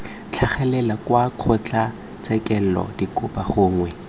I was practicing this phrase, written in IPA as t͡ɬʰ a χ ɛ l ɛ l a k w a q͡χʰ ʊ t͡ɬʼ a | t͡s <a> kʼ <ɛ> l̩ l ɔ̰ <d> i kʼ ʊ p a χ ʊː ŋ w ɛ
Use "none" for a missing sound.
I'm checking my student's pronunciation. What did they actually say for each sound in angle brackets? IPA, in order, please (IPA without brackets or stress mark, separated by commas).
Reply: ɛ, ɛ, d